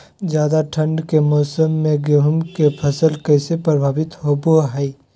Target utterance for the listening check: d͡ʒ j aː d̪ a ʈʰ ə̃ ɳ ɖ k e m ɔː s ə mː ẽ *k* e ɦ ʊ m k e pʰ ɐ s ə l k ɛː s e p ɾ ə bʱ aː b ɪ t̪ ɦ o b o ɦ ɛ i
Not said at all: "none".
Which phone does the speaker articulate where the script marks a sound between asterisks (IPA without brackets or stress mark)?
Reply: ɡ